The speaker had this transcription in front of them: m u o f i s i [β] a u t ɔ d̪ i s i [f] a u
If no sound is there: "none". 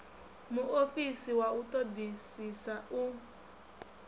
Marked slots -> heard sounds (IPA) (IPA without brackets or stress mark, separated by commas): w, s